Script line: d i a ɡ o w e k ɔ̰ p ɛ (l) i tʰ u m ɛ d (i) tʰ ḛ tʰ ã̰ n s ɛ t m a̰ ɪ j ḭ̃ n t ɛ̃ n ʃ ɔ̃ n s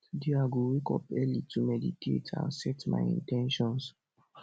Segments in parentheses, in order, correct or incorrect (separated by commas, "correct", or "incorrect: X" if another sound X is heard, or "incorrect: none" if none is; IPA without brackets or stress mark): correct, correct